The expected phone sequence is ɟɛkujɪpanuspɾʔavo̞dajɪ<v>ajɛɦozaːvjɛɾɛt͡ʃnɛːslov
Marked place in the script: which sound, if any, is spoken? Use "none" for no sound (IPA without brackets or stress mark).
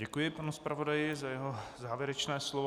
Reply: z